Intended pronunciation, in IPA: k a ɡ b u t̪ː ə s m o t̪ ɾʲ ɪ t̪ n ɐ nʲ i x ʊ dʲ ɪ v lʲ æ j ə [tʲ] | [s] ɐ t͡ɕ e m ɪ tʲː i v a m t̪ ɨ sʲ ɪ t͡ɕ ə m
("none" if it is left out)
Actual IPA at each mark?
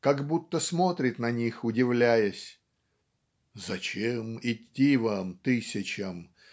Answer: sʲ, z

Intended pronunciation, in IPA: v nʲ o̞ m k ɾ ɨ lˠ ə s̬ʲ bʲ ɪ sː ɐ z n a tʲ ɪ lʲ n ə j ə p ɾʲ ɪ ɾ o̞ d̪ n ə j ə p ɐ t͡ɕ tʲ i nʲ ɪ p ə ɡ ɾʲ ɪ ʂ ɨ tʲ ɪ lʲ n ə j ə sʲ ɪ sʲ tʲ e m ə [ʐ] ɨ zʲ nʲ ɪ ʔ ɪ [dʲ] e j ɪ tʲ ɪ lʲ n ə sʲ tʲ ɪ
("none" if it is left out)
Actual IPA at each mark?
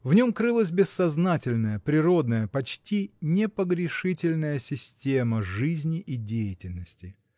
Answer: ʐ, dʲ

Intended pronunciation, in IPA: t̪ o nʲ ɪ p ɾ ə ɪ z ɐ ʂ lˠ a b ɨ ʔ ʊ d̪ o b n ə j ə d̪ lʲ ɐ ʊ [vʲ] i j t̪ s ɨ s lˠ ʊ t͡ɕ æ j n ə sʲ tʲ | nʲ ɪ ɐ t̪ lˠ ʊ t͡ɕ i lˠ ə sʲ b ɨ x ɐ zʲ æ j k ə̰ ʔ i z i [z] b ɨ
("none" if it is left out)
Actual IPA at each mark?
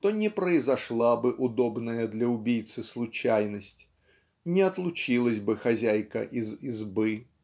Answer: bʲ, z

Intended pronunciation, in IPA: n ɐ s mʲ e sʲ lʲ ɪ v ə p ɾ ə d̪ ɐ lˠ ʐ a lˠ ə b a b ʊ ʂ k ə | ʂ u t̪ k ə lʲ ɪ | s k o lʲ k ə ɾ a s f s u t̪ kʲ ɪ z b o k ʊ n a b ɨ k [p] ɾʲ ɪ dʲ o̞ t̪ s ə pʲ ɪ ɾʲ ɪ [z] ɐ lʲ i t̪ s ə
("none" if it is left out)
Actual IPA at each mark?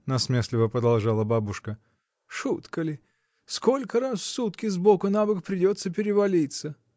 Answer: p, v

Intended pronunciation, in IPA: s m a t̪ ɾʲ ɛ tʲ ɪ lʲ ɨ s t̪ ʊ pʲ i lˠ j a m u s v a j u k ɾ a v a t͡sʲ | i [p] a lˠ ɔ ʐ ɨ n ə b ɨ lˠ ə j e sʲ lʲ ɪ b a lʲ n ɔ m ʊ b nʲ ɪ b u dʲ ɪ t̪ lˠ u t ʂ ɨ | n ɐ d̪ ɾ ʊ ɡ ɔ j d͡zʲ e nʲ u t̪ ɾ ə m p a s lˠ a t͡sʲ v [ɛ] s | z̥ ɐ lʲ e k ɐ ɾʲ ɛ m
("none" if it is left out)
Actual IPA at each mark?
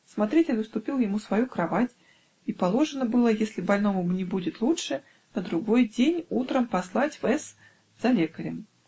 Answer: p, ɛ

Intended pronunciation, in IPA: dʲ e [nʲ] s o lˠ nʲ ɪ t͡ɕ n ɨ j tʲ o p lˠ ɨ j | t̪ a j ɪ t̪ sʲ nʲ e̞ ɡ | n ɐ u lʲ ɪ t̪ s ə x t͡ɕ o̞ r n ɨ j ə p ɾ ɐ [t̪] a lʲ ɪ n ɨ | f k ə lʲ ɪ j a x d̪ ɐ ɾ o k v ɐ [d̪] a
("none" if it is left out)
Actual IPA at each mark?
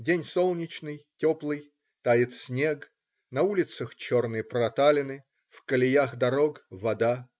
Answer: nʲ, t̪, d̪

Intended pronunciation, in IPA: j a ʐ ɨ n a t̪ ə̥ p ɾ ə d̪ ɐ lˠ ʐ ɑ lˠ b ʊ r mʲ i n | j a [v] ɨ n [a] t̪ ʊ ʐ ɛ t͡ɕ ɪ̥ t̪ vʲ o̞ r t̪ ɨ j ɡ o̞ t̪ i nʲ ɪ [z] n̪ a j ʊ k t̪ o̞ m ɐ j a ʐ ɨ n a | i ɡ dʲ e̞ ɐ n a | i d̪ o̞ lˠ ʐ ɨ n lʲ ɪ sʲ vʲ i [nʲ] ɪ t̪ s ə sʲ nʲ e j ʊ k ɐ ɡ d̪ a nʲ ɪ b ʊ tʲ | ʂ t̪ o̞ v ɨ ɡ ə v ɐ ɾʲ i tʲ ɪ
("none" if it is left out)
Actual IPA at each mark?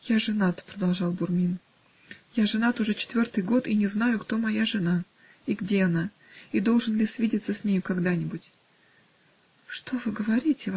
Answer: ʐ, a, z, dʲ

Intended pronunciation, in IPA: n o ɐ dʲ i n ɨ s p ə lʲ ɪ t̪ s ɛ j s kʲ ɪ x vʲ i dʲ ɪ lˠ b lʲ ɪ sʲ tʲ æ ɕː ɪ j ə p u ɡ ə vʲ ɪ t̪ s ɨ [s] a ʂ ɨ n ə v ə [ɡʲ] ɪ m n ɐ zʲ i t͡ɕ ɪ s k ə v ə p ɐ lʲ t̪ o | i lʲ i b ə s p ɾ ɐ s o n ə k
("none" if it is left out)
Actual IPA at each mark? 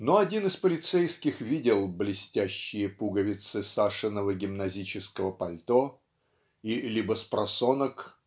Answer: s, ɡʲ

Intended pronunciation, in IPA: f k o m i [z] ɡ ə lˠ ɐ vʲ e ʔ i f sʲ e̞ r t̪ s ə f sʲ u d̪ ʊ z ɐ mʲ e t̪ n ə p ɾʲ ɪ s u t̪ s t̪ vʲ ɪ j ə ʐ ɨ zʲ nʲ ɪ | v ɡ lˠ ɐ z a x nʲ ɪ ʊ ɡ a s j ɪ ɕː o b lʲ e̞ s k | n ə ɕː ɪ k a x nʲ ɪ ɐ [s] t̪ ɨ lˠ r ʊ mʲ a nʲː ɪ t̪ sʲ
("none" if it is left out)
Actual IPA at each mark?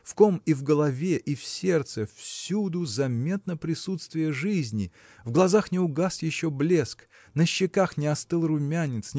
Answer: v, s

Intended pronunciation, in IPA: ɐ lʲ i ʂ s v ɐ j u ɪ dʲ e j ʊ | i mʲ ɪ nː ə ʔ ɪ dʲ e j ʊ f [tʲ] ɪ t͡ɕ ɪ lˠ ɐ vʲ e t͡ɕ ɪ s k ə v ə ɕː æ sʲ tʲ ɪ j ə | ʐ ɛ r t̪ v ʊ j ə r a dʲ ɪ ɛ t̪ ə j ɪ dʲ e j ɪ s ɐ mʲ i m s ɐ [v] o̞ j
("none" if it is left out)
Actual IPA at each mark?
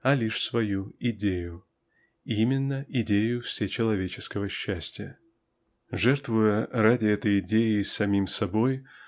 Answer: sʲ, b

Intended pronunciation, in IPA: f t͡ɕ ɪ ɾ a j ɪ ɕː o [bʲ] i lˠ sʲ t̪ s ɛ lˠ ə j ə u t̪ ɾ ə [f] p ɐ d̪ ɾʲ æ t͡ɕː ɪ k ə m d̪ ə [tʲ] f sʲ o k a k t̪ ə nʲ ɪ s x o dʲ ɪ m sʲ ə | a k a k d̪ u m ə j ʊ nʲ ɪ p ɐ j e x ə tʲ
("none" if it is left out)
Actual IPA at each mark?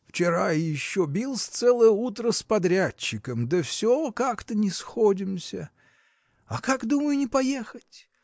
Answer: bʲ, s, none

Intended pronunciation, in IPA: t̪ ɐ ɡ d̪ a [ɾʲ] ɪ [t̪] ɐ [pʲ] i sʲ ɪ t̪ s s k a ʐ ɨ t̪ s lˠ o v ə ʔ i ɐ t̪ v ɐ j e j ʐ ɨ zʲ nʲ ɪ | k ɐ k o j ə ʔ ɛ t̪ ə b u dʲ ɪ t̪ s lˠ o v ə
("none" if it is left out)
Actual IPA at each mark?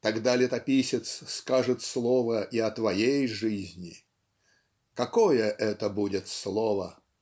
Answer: lʲ, t̪, pʲ

